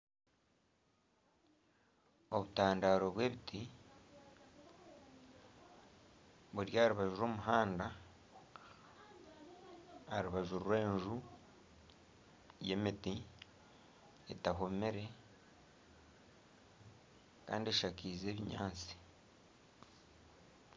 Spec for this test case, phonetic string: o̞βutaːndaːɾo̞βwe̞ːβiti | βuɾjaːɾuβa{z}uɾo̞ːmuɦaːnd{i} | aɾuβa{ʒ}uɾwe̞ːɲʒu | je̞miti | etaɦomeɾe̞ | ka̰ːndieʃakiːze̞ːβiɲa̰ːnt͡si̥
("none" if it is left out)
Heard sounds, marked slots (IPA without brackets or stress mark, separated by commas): ʒ, a, ʒ